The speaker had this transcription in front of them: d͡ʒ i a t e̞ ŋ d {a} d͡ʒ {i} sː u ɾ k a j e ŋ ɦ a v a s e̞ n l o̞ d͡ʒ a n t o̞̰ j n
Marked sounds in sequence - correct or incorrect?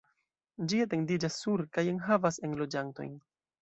incorrect: i, incorrect: a

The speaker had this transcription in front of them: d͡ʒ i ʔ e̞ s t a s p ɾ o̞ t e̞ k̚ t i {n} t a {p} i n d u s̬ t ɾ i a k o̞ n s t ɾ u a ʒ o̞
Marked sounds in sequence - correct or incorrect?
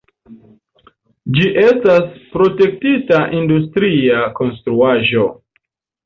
incorrect: none, incorrect: ʔ

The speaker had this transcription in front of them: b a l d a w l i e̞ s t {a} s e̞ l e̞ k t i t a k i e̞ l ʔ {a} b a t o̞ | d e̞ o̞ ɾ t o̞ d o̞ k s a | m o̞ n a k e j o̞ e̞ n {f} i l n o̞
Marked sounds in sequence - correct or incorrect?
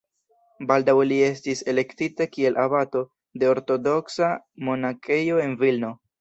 incorrect: i, correct, incorrect: v

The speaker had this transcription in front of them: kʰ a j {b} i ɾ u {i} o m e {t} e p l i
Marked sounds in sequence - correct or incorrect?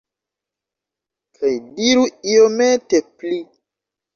incorrect: d, correct, correct

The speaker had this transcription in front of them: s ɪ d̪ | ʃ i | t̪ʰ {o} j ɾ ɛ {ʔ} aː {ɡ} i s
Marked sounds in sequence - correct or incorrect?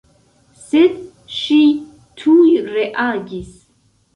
incorrect: u, correct, correct

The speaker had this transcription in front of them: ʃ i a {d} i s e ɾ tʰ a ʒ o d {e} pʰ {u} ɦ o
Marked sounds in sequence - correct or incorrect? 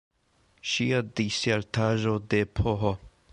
correct, correct, incorrect: o

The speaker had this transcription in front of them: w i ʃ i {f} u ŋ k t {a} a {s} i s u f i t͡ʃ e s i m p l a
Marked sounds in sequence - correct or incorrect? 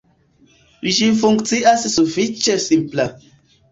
correct, incorrect: i, correct

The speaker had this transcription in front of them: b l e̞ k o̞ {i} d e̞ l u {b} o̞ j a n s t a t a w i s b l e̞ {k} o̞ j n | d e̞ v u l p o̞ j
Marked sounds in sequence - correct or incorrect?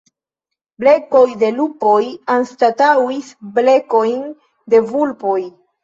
incorrect: j, incorrect: p, correct

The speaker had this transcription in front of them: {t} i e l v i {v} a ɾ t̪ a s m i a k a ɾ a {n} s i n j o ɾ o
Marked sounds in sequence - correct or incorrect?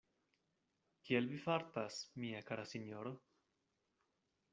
incorrect: k, incorrect: f, incorrect: none

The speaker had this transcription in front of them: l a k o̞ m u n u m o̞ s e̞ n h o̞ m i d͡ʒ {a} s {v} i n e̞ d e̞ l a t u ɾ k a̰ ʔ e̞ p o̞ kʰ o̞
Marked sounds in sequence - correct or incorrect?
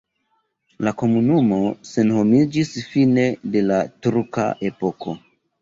incorrect: i, incorrect: f

